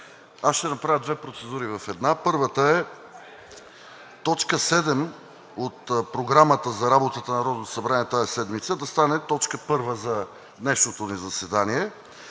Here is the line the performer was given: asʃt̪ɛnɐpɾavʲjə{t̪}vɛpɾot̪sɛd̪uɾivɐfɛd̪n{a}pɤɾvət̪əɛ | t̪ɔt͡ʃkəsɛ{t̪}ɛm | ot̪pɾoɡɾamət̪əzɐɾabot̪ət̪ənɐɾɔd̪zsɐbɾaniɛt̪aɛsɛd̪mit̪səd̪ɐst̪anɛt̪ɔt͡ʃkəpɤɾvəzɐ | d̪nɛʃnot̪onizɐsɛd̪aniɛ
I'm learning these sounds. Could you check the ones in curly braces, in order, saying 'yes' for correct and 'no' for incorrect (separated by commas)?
no, yes, no